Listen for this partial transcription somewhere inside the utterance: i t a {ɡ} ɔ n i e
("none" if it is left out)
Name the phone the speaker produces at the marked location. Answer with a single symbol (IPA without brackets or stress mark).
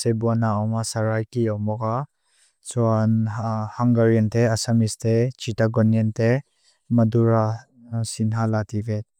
ɡ